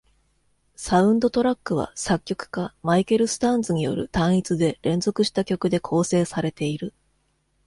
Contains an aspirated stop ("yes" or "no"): yes